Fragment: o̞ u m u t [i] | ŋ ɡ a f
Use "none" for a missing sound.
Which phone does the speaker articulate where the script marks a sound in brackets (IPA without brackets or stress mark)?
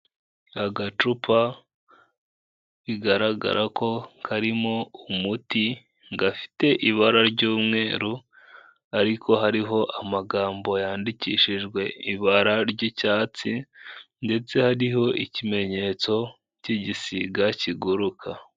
i